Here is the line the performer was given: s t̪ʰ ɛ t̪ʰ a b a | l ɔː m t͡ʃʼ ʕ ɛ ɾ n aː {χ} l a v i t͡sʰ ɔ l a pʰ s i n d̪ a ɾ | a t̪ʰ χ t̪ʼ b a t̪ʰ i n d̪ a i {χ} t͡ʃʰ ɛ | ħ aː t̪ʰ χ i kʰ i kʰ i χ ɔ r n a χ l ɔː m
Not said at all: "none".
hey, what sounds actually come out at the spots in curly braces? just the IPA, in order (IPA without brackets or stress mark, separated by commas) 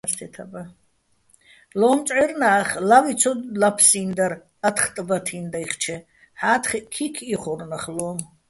χ, χ